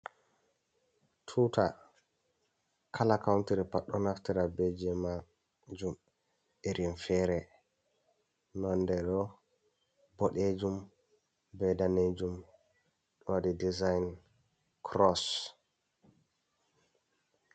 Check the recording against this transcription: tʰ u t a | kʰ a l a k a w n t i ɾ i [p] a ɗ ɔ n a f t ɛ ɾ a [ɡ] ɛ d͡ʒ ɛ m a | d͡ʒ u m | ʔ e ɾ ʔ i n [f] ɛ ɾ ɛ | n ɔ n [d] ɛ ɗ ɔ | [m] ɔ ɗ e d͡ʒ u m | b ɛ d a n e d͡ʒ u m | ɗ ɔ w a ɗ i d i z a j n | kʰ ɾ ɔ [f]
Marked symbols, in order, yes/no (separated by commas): yes, no, yes, yes, no, no